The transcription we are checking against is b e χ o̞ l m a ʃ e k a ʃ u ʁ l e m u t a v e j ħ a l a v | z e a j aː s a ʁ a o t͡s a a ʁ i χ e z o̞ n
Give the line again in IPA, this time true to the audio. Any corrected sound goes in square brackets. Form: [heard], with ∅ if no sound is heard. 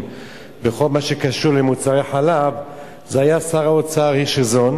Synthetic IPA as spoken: b e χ o̞ l m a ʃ e k a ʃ u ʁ l e m u [t͡s] a [ʁ] e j ħ a l a v | z e a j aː s a ʁ a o t͡s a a ʁ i [ʃ] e z o̞ n